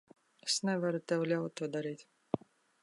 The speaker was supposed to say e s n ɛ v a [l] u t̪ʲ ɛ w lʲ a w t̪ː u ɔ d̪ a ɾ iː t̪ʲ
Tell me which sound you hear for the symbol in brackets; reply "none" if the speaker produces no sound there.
ɾ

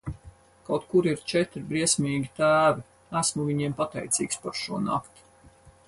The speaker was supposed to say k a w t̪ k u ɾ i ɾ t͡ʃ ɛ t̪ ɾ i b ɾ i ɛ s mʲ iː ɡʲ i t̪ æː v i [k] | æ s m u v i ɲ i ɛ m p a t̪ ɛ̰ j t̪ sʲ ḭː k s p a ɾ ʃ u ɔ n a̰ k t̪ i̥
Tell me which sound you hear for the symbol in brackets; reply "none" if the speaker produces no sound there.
none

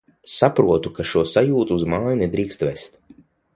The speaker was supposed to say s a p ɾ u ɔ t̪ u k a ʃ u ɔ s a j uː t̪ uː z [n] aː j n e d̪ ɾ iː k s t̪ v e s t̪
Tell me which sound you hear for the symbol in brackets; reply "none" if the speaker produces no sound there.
m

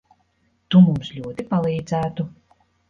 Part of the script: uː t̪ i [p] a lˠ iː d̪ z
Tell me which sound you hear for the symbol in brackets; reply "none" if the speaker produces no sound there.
p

